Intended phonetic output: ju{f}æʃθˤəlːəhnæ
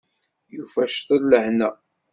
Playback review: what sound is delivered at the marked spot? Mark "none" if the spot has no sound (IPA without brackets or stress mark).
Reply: f